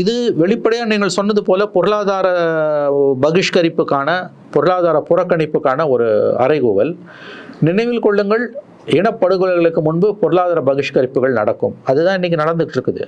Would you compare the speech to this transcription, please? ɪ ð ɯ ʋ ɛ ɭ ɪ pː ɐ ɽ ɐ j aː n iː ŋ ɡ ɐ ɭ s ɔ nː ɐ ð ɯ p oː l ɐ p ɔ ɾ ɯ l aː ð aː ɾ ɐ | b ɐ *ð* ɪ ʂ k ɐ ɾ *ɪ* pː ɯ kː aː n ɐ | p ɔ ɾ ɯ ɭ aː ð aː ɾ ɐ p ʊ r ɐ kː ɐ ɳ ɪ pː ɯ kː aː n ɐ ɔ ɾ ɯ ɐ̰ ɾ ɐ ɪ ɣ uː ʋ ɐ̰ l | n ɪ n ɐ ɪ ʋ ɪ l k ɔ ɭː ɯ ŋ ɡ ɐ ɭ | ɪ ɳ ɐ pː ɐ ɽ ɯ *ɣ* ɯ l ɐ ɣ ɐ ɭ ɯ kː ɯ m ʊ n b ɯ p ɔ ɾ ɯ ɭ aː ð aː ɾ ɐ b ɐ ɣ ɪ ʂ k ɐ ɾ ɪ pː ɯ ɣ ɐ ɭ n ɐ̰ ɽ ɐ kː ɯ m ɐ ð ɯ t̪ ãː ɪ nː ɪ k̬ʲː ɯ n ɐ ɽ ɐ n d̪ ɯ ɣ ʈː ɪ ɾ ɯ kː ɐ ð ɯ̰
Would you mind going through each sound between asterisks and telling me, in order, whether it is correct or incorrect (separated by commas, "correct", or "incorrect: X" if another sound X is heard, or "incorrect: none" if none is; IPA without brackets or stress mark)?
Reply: incorrect: ɣ, correct, correct